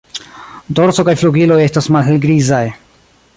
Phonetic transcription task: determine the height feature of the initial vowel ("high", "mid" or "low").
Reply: mid